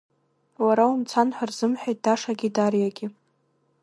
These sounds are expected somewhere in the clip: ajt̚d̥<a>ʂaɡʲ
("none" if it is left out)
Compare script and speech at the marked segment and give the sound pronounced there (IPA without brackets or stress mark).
a